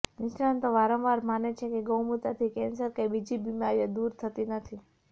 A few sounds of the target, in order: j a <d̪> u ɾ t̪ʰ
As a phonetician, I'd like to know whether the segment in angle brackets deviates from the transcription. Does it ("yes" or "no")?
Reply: no